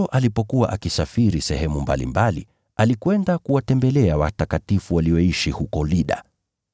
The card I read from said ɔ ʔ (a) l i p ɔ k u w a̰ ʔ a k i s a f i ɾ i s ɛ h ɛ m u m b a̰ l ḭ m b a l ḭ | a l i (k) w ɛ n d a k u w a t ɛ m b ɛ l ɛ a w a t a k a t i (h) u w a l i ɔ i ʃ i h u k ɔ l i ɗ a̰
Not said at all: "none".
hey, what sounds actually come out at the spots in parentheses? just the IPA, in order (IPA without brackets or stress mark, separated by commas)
a, k, f